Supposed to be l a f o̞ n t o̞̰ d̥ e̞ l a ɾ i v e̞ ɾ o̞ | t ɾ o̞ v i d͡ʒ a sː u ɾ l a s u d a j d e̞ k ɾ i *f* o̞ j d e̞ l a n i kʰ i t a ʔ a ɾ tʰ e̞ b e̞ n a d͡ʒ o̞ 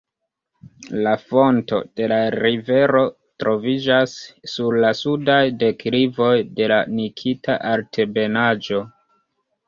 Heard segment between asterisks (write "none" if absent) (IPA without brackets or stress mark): v